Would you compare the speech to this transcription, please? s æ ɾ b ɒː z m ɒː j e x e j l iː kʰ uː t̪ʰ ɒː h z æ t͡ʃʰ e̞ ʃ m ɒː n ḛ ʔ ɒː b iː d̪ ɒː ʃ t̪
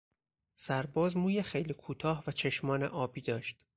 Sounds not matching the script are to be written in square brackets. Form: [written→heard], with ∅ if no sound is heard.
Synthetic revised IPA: s æ ɾ b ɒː z m [ɒː→uː] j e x e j l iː kʰ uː t̪ʰ ɒː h [z→v] æ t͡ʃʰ e̞ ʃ m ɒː n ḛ ʔ ɒː b iː d̪ ɒː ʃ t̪